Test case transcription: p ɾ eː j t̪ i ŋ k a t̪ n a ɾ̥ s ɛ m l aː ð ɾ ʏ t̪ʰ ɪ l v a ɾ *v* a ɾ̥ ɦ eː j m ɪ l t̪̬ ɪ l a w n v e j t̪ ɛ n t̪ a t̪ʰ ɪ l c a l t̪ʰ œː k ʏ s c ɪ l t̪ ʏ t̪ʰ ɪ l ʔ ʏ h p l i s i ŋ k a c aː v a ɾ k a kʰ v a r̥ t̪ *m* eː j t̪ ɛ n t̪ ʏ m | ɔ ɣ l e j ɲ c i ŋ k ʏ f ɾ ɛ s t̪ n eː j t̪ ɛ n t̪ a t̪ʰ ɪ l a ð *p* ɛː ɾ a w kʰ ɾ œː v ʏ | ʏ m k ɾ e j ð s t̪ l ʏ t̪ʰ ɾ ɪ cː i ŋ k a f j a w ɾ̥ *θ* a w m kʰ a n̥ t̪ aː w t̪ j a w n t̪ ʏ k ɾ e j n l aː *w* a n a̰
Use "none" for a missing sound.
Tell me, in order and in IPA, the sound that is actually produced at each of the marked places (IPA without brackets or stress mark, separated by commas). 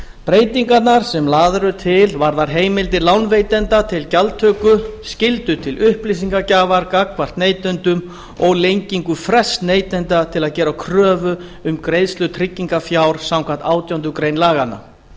ð, n, c, s, ɣ